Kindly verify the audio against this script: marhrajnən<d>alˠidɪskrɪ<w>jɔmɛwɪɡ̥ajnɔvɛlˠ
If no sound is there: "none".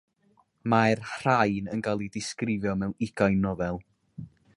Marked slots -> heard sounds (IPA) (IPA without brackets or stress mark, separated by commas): ɡ, v